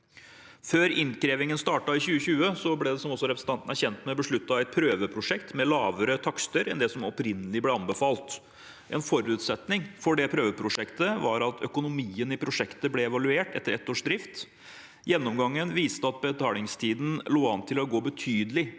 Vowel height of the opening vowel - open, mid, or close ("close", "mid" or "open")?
mid